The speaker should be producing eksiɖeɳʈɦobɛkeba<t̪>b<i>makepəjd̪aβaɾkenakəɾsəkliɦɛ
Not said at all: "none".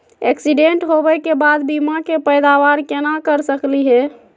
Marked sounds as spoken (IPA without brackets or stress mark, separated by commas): d̪, i